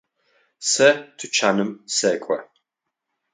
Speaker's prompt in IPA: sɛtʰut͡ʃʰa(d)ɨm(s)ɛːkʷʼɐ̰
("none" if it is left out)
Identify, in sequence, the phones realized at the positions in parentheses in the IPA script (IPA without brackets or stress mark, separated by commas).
n, s